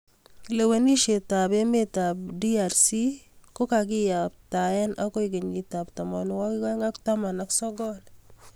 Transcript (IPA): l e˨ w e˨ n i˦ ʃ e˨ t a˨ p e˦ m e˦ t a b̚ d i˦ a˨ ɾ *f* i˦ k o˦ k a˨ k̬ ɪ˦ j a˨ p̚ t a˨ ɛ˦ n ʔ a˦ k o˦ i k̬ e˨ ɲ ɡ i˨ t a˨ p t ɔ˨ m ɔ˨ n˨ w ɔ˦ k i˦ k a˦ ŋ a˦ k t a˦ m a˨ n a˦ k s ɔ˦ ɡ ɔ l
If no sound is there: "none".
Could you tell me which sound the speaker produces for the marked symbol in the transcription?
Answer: s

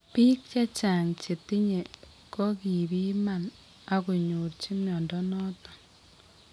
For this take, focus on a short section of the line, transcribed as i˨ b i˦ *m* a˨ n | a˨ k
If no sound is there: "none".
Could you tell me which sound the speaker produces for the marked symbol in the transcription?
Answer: m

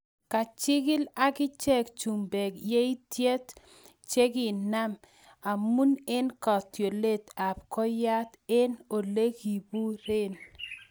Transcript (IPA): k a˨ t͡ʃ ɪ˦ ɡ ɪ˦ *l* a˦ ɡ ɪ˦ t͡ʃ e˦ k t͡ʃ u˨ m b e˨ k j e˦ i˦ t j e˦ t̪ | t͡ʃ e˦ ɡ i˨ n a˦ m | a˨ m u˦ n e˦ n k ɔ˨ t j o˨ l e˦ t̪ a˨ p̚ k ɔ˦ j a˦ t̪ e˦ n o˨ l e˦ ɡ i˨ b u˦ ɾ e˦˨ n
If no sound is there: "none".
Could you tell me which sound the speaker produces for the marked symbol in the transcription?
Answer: l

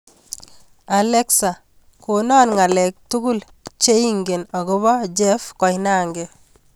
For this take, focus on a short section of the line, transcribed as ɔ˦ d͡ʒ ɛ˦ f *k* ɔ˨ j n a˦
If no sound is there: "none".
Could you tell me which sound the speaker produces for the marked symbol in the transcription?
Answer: k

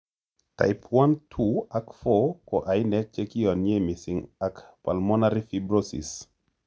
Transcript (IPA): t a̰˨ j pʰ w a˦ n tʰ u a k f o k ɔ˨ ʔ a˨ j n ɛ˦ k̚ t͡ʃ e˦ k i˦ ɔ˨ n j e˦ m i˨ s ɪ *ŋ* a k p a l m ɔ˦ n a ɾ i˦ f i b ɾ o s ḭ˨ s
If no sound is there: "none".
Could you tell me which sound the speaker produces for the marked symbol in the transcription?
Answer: ŋ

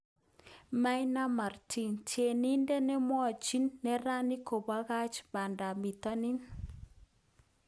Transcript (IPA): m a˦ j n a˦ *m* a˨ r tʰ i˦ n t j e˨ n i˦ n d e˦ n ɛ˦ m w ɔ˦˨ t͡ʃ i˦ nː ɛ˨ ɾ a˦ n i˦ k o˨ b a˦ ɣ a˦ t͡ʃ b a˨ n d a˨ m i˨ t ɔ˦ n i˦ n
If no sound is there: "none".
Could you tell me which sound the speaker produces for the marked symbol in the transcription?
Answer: m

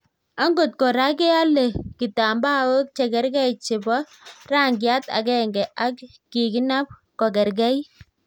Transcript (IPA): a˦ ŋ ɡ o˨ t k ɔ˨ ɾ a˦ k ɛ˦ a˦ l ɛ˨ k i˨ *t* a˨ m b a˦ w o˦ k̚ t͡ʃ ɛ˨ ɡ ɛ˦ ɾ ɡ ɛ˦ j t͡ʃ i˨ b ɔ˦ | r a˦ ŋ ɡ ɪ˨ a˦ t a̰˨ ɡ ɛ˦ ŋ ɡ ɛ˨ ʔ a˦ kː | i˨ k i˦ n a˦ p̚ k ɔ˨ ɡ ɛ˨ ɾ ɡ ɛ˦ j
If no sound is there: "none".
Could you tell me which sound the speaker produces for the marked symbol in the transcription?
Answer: t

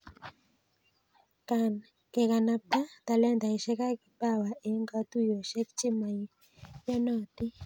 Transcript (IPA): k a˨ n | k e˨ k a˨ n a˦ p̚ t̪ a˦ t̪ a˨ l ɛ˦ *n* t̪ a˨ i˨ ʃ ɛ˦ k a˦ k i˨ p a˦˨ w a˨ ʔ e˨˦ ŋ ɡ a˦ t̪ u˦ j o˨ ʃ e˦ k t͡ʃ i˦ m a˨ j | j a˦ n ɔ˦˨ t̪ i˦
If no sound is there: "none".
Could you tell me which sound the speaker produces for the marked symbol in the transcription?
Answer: n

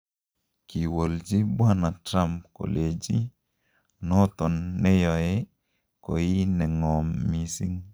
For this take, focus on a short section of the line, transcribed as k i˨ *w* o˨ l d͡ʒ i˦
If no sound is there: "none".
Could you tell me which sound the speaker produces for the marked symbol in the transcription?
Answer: w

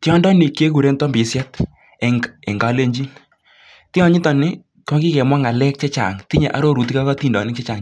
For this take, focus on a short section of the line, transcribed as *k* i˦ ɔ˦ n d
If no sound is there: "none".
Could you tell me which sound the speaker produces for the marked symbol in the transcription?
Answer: t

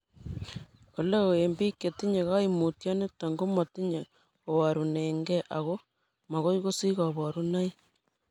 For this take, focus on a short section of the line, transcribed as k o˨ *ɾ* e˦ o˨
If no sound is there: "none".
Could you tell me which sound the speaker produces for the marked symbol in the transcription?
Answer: l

